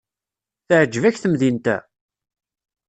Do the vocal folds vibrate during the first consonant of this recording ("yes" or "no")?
no